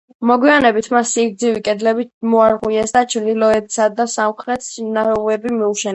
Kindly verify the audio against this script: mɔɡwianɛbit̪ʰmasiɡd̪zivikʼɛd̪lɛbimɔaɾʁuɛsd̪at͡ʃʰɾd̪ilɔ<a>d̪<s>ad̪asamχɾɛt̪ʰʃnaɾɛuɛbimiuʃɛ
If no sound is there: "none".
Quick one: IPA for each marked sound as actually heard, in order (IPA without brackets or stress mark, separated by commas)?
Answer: ɛ, s